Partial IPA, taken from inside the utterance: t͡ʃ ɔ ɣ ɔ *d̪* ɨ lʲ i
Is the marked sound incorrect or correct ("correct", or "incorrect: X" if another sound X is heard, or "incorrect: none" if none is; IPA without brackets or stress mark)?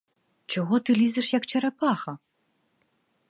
incorrect: t̪